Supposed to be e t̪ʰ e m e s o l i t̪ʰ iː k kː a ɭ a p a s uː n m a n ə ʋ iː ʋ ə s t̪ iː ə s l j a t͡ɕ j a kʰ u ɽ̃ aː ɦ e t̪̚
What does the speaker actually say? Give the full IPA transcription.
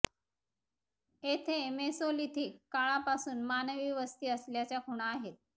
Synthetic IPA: e t̪ʰ e m e s o l i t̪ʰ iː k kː a ɭ a p a s uː n m a n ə ʋ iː ʋ ə s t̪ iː ə s l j a t͡ɕ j a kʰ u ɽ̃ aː ɦ e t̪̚